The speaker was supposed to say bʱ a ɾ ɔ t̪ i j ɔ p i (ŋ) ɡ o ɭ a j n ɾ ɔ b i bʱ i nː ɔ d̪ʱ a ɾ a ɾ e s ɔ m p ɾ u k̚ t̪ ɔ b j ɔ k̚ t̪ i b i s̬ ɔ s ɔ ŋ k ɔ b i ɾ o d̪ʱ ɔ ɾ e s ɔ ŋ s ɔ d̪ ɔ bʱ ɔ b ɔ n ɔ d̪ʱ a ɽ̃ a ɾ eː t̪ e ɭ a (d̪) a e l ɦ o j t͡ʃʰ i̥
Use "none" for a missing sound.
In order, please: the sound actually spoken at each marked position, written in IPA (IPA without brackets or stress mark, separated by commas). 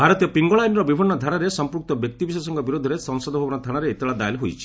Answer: ŋ, d̪